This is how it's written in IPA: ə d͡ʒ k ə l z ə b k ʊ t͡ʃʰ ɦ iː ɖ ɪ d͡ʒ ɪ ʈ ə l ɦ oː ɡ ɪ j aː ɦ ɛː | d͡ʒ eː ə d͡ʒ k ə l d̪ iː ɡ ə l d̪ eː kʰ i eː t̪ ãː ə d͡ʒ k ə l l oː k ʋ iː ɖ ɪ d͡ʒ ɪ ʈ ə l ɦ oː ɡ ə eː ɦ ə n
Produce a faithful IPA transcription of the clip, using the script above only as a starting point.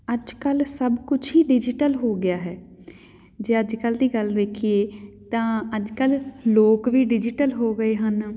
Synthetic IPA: ə d͡ʒ k ə l s ə b k ʊ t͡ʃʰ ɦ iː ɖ ɪ d͡ʒ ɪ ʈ ə l ɦ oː ɡ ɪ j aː ɦ ɛː | d͡ʒ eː ə d͡ʒ k ə l d̪ iː ɡ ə l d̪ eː kʰ i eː t̪ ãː ə d͡ʒ k ə l l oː k ʋ iː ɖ ɪ d͡ʒ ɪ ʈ ə l ɦ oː ɡ ə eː ɦ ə n